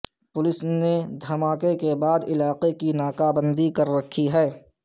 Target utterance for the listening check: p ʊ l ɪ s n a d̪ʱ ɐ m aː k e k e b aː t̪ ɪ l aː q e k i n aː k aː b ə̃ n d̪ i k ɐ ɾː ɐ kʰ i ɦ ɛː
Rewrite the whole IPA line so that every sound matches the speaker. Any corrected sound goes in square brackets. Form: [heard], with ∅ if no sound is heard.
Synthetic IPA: p ʊ l ɪ s n [e] d̪ʱ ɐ m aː k e k e b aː [d̪] ɪ l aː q e k i n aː k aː b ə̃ n d̪ i k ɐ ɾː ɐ kʰ i ɦ ɛː